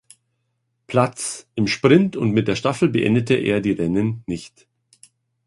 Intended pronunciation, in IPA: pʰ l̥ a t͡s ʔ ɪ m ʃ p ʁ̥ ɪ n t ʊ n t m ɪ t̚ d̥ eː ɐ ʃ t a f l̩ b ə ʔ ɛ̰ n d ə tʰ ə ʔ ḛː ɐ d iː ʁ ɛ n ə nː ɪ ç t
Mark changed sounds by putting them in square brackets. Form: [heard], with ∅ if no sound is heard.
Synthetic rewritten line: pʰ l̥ a t͡s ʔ ɪ m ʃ p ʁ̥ ɪ n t ʊ n t m ɪ t̚ d̥ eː ɐ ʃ t a f l̩ b ə ʔ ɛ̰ n d ə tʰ ə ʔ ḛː ɐ d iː ʁ ɛ n ə nː ɪ ç t